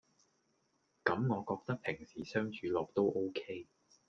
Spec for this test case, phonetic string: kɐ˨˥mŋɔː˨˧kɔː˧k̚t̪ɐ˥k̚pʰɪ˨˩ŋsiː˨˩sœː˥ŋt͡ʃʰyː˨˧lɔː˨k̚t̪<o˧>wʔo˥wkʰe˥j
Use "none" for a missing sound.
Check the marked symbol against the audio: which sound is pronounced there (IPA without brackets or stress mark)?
o˥